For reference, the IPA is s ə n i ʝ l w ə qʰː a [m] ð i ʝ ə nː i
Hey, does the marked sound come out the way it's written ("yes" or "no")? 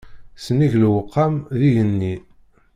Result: yes